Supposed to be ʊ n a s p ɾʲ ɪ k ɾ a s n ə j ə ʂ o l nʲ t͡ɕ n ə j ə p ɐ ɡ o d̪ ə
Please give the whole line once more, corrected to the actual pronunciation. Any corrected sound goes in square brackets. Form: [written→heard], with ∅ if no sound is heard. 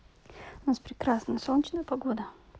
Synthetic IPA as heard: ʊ n a s p ɾʲ ɪ k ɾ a s n ə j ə [ʂ→s] o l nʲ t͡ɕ n ə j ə p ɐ ɡ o d̪ ə